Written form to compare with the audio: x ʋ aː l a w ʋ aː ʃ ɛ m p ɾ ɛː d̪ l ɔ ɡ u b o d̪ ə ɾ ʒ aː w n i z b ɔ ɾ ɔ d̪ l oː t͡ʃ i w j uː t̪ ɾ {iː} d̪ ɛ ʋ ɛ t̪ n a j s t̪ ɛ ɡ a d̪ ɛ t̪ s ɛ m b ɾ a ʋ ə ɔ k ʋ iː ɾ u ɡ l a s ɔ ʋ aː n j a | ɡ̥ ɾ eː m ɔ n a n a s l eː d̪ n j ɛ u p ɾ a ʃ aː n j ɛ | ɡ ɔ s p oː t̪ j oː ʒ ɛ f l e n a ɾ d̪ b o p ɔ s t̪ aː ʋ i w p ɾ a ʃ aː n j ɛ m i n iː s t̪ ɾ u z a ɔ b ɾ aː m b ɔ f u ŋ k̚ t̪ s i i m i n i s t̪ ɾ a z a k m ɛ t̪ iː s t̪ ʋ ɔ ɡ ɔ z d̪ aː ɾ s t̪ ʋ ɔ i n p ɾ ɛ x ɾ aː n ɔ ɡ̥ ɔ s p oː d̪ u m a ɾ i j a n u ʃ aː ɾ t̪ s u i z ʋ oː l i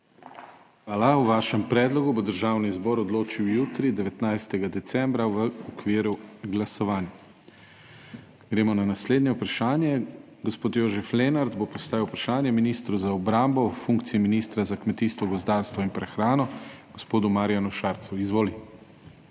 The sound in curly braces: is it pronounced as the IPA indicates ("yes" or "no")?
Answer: no